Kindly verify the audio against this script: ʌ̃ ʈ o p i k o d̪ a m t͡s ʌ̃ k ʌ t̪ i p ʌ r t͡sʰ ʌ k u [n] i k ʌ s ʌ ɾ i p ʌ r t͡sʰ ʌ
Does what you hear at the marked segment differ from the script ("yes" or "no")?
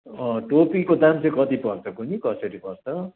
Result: no